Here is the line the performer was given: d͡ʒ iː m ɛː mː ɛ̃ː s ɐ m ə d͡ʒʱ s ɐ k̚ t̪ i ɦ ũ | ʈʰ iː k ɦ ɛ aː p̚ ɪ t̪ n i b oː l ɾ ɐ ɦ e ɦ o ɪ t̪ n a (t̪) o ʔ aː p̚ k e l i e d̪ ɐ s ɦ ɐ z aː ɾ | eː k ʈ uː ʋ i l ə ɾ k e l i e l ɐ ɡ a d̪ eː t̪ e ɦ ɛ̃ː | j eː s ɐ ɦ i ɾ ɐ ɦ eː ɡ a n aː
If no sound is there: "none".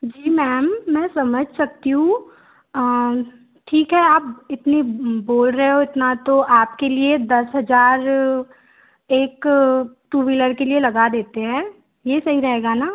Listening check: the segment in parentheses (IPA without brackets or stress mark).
t̪